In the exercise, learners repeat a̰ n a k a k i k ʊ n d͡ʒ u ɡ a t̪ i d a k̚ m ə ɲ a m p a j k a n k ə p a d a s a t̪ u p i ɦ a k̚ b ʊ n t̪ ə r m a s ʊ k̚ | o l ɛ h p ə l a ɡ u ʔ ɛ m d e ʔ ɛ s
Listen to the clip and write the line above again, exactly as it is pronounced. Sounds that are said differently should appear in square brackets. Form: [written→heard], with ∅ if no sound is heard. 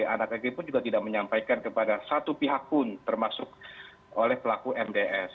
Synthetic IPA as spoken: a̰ n a k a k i [k→p] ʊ n d͡ʒ u ɡ a t̪ i d a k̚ m ə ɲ a m p a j k a n k ə p a d a s a t̪ u p i ɦ a k̚ [b→p] ʊ n t̪ ə r m a s ʊ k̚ | o l ɛ h p ə l a [ɡ→k] u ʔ ɛ m d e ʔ ɛ s